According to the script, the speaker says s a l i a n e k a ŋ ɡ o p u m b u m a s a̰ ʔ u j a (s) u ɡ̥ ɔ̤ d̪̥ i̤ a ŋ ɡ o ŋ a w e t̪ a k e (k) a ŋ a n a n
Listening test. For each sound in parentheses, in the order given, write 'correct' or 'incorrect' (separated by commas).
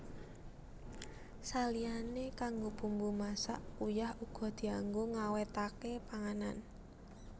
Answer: incorrect, incorrect